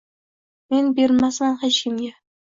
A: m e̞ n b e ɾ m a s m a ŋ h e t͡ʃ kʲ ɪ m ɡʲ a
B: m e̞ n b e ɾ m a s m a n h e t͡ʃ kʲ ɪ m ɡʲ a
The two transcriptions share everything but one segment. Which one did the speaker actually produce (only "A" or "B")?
B